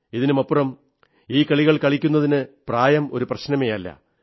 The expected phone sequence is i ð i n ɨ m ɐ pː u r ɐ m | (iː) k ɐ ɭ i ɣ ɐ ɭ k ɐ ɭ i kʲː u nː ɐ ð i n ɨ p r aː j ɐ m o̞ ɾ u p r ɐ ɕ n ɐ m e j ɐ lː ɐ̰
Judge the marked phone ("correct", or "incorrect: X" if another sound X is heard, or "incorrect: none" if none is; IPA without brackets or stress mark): correct